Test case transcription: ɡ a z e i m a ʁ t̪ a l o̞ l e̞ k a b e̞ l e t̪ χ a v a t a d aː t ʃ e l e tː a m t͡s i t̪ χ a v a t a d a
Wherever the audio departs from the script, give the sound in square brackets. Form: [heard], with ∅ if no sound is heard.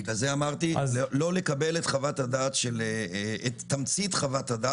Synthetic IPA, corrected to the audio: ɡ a z e [a] m a ʁ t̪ [i] l o̞ l e̞ k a b e̞ l e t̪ χ a v a t a d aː t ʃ e l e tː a m t͡s i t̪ χ a v a t a d a

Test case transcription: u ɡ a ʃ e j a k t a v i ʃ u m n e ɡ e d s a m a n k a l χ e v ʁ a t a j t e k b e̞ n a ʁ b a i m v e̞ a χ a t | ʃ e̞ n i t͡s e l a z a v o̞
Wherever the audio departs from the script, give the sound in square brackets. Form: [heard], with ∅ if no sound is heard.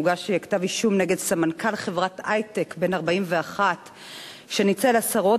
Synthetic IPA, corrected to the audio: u ɡ a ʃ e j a k t a v i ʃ u m n e ɡ e d s a m a n k a l χ e v ʁ a t a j t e k b e̞ n a ʁ b a i m v e̞ a χ a t | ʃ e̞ n i t͡s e l a [s] a [ʁ] o̞

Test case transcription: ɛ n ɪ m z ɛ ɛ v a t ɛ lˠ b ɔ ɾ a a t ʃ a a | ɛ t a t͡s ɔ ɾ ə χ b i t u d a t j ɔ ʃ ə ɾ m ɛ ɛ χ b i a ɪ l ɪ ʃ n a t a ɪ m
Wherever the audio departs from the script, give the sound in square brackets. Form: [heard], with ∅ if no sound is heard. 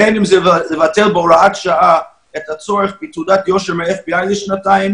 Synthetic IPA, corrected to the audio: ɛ n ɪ m z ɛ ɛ v a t ɛ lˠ b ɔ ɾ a a t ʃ a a | ɛ t a t͡s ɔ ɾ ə χ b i t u d a t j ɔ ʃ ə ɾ m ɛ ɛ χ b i a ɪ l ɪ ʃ n a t a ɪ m

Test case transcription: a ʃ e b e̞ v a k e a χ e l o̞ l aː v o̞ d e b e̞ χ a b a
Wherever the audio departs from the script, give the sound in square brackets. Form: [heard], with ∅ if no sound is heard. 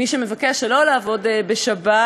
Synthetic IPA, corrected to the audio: [i] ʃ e [m] e̞ v a k e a [ʃ] e l o̞ l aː v o̞ d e b e̞ [ʃ] a b a

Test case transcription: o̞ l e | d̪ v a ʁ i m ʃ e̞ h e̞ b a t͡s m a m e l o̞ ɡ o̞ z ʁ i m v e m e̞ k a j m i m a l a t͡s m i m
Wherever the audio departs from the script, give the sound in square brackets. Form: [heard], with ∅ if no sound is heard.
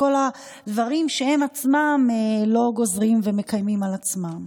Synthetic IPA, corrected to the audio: o̞ l [a] | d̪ v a ʁ i m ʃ e̞ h e̞ [m] a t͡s m a m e l o̞ ɡ o̞ z ʁ i m v e m e̞ k a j m i m a l a t͡s m [a] m

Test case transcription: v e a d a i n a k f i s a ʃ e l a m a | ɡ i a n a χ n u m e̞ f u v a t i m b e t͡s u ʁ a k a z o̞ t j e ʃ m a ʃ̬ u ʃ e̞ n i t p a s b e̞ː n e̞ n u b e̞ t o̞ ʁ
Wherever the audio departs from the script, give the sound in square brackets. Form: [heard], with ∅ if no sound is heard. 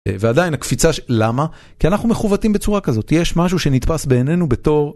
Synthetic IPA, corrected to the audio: v e a d a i n a k f i [t͡s] a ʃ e l a m a | [k] i a n a χ n u m e̞ [χ] u v a t i m b e t͡s u ʁ a k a z o̞ t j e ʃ m a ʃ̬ u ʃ e̞ n i t p a s b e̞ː n e̞ n u b e̞ t o̞ ʁ

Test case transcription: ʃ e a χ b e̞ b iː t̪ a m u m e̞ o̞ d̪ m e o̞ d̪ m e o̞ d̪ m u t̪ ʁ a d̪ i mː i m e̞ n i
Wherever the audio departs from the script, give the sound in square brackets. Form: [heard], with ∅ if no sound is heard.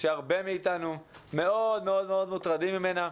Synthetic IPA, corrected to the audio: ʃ e a [ʁ] b e̞ [m] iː t̪ a [n] u m e̞ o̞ d̪ m e o̞ d̪ m e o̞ d̪ m u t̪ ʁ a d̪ i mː i m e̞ n [a]

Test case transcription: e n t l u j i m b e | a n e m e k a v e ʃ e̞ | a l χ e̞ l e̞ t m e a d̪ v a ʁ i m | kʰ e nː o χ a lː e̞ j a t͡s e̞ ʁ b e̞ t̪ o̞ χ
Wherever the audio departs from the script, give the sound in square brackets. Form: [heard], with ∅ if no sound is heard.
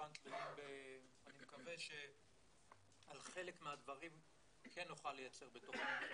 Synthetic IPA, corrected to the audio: [a] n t l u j i m b e | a n [i] m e k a v e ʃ e̞ | a l χ e̞ l e̞ [k] m e a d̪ v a ʁ i m | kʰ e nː o χ a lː e̞ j a t͡s e̞ ʁ b e̞ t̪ o̞ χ

